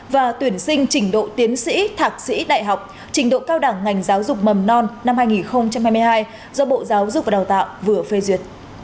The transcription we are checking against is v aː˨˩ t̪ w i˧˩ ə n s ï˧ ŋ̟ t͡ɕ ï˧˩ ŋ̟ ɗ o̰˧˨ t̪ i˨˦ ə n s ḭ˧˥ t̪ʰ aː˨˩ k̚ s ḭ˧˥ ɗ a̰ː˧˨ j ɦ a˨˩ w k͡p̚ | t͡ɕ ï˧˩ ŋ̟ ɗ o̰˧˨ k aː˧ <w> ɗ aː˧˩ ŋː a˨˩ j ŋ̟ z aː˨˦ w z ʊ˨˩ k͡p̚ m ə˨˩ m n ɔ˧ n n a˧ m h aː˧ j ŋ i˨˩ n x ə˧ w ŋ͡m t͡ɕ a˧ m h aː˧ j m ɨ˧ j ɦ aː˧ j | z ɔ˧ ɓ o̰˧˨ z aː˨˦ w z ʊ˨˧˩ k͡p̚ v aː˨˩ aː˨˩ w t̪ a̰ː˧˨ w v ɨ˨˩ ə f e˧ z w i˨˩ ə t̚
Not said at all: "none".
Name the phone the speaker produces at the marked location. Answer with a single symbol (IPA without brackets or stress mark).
w